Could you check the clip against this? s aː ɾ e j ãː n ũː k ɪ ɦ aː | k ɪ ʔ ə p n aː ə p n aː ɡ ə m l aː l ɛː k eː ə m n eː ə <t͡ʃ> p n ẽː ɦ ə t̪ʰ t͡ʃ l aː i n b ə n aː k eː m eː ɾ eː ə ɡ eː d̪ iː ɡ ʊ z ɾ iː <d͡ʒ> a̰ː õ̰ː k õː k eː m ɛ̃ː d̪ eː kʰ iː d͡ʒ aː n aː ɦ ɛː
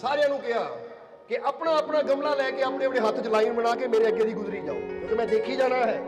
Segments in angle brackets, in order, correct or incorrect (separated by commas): incorrect, correct